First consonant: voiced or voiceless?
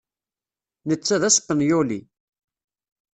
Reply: voiced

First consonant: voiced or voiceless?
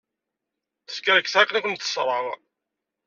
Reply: voiceless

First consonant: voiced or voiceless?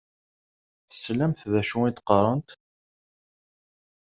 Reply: voiceless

